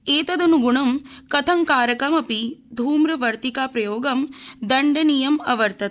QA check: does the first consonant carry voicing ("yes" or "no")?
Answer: no